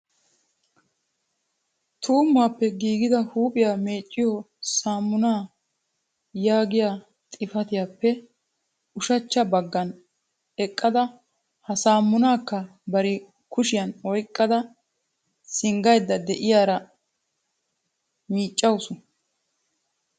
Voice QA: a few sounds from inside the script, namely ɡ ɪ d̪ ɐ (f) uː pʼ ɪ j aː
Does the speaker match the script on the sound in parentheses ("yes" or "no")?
no